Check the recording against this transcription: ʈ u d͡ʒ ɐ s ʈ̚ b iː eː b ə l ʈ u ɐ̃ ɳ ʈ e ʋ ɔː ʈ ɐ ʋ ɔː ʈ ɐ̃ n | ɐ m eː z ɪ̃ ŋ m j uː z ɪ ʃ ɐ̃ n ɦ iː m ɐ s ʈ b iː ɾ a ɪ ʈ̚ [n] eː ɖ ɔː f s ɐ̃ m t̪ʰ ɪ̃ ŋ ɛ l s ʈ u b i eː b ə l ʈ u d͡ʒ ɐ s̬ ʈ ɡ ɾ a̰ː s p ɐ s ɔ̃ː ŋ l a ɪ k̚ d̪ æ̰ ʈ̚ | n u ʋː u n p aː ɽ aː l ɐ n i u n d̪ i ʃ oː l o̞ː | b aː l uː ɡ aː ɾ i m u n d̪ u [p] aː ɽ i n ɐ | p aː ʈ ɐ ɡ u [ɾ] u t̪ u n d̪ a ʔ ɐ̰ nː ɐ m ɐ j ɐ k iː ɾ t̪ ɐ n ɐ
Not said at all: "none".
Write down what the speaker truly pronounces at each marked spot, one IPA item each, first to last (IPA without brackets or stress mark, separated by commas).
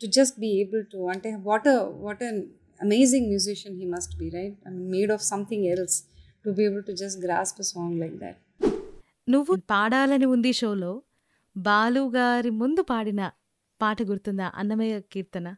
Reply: m, p, ɾ